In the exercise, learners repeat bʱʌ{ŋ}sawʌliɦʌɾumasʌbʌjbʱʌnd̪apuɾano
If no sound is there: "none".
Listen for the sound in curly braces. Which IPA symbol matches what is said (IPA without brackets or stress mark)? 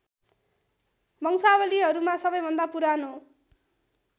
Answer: ŋ